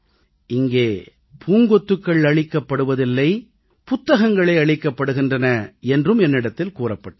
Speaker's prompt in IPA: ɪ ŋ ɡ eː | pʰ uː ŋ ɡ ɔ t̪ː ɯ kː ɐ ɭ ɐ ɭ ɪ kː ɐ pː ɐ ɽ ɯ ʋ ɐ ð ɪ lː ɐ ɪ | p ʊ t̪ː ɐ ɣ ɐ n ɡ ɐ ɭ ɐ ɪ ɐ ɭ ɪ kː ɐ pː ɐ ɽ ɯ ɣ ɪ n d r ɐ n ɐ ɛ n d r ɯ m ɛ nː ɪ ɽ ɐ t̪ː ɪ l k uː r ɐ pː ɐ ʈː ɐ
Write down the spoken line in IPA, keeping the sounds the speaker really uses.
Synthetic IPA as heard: ɪ ŋ ɡ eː | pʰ uː ŋ ɡ ɔ t̪ː ɯ kː ɐ ɭ ɐ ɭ ɪ kː ɐ pː ɐ ɽ ɯ ʋ ɐ ð ɪ lː ɐ ɪ | p ʊ t̪ː ɐ ɣ ɐ ŋ ɡ ɐ ɭ ɐ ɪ ɐ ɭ ɪ kː ɐ pː ɐ ɽ ɯ ɣ ɪ n d r ɐ n ɐ ɛ n d r ɯ m ɛ nː ɪ ɽ ɐ t̪ː ɪ l k uː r ɐ pː ɐ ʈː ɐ